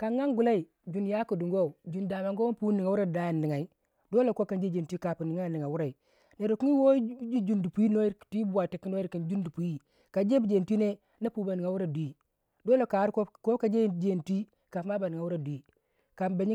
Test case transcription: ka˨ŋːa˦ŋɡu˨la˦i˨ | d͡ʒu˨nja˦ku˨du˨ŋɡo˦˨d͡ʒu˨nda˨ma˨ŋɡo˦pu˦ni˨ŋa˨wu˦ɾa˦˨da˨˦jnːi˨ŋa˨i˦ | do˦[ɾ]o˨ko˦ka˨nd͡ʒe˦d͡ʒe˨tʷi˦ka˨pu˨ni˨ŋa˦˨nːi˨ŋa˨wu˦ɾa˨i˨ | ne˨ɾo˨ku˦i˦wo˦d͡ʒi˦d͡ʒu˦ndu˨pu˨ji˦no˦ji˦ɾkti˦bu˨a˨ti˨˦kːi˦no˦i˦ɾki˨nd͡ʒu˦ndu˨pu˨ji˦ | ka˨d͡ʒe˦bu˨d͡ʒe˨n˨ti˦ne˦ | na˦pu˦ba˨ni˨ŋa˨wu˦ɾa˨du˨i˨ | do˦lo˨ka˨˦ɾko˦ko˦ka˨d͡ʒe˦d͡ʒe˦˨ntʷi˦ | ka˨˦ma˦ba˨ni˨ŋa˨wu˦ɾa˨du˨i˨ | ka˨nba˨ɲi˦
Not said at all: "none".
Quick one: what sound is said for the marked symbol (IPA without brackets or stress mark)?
l